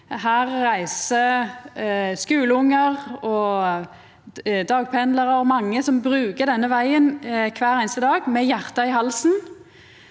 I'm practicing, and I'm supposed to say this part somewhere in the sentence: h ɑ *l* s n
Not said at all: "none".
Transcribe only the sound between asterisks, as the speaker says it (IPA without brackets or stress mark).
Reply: l